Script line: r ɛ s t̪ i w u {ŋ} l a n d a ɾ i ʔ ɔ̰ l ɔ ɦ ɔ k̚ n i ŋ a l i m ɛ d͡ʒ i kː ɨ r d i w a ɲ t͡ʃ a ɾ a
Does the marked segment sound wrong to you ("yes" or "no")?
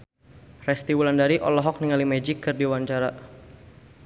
yes